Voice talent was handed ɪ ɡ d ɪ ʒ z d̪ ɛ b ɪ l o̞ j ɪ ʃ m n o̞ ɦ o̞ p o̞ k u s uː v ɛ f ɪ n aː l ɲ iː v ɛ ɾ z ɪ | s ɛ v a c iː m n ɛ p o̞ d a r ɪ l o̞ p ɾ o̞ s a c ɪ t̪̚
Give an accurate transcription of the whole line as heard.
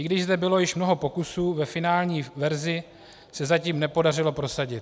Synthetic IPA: ɪ ɡ d ɪ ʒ z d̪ ɛ b ɪ l o̞ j ɪ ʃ m n o̞ ɦ o̞ p o̞ k u s uː v ɛ f ɪ n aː l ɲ iː v ɛ ɾ z ɪ | s ɛ z a c iː m n ɛ p o̞ d a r ɪ l o̞ p ɾ o̞ s a ɟ ɪ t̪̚